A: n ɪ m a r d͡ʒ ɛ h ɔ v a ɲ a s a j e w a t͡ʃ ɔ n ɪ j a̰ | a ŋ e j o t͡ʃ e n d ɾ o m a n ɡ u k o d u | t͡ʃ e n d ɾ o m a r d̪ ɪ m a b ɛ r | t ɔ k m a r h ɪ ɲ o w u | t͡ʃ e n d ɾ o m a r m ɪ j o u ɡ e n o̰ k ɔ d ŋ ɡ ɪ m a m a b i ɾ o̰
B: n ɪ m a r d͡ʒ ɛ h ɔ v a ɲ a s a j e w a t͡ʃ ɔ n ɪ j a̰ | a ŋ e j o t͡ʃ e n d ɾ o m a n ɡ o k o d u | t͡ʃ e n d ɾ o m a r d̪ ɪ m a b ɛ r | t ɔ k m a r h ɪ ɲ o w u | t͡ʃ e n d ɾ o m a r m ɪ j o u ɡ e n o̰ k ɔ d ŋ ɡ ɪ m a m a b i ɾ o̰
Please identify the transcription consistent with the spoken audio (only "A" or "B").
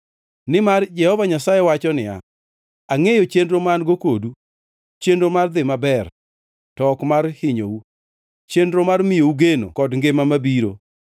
B